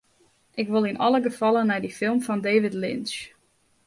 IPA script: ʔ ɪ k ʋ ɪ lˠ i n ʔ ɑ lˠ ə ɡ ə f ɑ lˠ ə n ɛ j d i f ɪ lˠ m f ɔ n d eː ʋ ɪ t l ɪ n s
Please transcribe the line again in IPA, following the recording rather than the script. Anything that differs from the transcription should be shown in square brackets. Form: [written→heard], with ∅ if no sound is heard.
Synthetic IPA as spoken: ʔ ɪ k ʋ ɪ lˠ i n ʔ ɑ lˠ ə ɡ ə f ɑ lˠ ə n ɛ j d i f ɪ lˠ m f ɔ n d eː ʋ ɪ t l ɪ n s